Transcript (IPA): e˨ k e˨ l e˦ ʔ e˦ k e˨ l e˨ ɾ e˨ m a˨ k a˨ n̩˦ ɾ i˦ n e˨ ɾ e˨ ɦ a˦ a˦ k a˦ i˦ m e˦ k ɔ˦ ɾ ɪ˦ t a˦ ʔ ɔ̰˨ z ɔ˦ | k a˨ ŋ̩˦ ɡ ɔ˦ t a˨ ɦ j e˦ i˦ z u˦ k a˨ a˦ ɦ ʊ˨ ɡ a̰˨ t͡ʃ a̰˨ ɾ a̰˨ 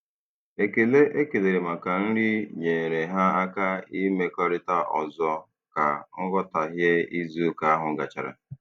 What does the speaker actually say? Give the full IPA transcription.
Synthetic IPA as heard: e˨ k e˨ l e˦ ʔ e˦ k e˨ l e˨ ɾ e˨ m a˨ k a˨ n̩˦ ɾ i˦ ɲ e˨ ɾ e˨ ɦ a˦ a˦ k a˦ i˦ m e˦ k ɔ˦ ɾ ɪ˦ t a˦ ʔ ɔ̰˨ z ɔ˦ | k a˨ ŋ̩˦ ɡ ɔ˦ t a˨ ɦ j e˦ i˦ z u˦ k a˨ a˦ ɦ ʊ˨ ɡ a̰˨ t͡ʃ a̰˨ ɾ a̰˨

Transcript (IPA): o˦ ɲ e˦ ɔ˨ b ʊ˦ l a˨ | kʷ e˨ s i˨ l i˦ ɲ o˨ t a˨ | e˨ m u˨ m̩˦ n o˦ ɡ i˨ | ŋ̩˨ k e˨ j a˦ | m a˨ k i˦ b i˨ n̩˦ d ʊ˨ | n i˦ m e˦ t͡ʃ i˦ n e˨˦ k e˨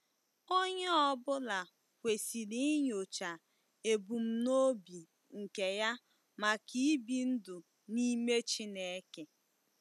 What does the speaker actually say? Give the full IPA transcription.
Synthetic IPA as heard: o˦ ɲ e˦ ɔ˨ b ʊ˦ l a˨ | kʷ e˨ s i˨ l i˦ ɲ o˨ t͡ʃ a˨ | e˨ b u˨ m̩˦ n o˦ b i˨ | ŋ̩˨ k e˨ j a˦ | m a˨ k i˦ b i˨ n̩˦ d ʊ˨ | n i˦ m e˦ t͡ʃ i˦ n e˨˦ k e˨

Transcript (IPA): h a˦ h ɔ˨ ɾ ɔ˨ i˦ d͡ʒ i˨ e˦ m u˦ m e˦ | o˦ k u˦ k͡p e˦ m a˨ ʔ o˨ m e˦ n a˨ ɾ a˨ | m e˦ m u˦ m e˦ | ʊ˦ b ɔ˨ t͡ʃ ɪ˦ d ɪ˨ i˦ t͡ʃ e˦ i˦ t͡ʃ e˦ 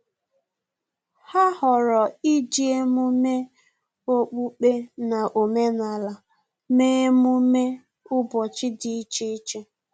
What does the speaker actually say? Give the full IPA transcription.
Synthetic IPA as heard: h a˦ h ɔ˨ ɾ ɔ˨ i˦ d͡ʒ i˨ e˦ m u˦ m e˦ | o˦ k͡p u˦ k͡p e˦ n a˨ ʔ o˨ m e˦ n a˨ l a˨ | m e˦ m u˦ m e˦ | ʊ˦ b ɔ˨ t͡ʃ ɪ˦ d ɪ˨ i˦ t͡ʃ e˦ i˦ t͡ʃ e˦

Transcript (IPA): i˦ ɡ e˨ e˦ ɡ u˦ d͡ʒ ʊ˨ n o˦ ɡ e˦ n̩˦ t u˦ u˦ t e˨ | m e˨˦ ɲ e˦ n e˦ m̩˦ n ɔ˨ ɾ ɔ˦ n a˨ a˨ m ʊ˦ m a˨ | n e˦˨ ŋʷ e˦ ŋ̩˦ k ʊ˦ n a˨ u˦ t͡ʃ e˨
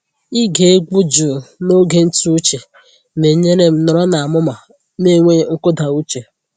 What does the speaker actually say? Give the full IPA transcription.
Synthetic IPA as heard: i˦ ɡ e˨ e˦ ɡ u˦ d͡ʒ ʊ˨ n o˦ ɡ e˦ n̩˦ t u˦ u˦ t͡ʃ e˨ | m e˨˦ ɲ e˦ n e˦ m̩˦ n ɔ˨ ɾ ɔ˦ n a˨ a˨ m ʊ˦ m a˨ | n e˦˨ ŋʷ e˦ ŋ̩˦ k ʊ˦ d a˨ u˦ t͡ʃ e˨

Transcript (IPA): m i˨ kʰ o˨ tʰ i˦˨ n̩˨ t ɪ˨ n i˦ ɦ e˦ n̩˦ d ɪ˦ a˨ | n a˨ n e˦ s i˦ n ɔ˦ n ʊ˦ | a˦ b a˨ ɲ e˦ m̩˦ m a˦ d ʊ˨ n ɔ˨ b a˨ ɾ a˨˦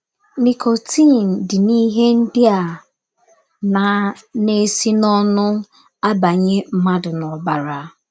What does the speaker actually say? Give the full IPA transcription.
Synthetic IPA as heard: n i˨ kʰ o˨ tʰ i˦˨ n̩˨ d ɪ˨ n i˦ ɦ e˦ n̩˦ d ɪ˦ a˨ | n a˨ n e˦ s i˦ n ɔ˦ n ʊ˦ | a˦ b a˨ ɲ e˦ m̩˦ m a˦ d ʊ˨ n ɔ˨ b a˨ ɾ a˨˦

